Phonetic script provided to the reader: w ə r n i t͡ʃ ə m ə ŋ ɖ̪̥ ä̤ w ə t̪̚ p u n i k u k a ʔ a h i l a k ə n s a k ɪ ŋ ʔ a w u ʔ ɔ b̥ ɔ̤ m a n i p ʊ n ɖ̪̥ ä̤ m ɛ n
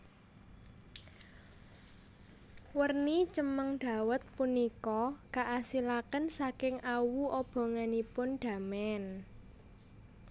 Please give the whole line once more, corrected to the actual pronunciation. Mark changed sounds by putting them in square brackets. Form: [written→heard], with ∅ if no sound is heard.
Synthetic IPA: w ə r n i t͡ʃ ə m ə ŋ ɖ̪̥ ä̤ w ə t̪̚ p u n i k [u→ɔ] k a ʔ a [h→s] i l a k ə n s a k ɪ ŋ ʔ a w u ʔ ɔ b̥ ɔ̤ [m→ŋ] a n i p ʊ n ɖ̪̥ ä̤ m ɛ n